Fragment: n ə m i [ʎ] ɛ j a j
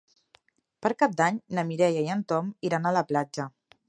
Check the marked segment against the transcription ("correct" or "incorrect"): incorrect